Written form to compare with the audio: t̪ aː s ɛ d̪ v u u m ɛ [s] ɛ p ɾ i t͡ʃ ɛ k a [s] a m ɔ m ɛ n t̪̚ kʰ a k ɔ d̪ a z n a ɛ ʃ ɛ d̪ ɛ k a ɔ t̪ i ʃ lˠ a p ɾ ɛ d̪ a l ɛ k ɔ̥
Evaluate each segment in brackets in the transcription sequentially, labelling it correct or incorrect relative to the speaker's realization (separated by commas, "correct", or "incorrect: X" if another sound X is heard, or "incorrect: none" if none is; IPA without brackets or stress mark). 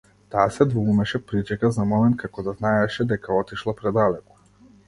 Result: incorrect: ʃ, incorrect: z